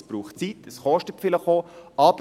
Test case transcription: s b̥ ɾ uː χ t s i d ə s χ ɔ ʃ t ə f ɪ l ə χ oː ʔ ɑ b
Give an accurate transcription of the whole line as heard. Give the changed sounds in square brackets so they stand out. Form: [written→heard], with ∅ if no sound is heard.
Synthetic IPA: s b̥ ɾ uː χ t [s→t͡s] i [d→t] ə s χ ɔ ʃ t ə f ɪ l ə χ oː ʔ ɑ b